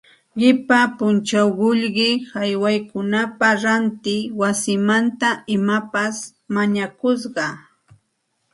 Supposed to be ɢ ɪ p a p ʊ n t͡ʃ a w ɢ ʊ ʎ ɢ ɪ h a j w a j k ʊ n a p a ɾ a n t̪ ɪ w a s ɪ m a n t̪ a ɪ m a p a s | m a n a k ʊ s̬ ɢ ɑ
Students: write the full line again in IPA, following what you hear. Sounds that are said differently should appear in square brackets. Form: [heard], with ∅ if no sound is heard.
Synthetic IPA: ɢ ɪ p a p ʊ n t͡ʃ a w ɢ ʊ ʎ ɢ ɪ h a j w a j k ʊ n a p a ɾ a n t̪ ɪ w a s ɪ m a n t̪ a ɪ m a p a s | m a [ɲ] a k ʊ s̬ ɢ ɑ